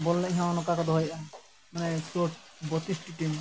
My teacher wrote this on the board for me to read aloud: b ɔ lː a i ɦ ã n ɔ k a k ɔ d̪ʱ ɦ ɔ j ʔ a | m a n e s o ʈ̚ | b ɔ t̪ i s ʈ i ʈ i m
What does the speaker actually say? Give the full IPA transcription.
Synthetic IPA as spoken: b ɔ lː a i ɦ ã n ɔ k a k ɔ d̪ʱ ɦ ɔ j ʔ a | m a n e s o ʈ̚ | b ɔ t̪ i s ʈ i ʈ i m